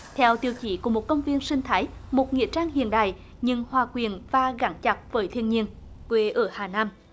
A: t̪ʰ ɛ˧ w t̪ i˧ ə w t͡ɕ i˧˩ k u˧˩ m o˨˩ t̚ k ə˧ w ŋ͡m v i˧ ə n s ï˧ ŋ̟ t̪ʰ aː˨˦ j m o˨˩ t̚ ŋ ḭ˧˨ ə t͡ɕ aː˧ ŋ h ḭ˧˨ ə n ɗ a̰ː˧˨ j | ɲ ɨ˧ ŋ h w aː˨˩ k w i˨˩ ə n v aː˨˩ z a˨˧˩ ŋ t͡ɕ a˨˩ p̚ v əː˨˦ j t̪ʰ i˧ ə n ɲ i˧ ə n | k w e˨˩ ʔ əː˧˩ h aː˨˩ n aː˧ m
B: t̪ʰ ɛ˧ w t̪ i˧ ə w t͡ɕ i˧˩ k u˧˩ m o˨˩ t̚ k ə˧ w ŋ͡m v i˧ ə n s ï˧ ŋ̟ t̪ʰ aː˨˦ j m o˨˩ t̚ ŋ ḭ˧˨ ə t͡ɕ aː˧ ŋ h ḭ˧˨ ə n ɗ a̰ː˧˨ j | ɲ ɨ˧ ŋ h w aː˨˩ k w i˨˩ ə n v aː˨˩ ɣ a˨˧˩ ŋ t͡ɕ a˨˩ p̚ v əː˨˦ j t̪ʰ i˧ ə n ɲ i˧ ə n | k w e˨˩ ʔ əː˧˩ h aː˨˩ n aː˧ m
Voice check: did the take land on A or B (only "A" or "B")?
B